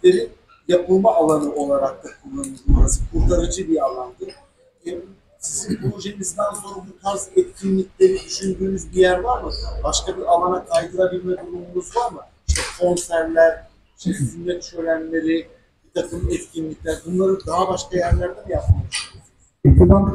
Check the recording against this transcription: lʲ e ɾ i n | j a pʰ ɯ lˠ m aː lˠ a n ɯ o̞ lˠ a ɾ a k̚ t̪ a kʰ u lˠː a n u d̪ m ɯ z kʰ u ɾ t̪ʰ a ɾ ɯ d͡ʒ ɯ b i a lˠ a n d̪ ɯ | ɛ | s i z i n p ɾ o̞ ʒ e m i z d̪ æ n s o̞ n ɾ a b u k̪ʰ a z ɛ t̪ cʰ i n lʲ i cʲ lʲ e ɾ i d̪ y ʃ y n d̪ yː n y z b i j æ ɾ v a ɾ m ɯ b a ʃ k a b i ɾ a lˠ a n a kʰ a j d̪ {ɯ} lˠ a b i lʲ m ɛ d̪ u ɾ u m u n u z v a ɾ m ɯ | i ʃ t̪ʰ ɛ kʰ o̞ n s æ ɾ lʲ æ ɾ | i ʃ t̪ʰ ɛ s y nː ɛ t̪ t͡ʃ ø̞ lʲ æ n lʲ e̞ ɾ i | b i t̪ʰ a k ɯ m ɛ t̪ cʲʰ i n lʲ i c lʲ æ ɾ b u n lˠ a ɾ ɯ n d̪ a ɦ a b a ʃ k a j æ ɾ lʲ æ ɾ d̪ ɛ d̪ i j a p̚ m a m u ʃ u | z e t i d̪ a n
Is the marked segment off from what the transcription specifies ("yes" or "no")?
no